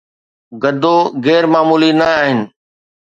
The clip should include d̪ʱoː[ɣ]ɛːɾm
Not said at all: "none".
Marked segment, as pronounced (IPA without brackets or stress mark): ɣ